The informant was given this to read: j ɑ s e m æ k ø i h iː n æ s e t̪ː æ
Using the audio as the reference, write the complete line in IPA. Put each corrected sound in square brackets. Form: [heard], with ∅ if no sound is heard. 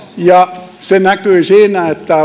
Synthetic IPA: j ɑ s e [n] æ k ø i [s] iː n æ [∅] e t̪ː æ